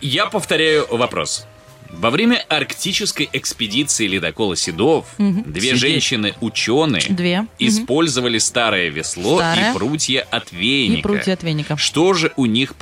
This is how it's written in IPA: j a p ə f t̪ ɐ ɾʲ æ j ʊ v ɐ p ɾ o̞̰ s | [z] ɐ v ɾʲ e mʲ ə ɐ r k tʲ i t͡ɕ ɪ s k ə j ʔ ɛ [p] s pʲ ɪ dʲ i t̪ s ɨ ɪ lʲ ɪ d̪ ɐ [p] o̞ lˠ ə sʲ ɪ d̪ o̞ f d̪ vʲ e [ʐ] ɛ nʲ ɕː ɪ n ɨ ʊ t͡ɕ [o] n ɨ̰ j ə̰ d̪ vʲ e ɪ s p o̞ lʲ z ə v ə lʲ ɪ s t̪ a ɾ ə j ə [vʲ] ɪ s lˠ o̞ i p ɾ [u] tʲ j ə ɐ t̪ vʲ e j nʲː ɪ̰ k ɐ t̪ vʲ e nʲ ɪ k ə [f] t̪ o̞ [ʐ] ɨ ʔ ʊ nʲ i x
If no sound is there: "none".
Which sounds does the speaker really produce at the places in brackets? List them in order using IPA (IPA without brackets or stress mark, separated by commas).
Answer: v, k, k, ʐ, o, vʲ, u, ʂ, ʐ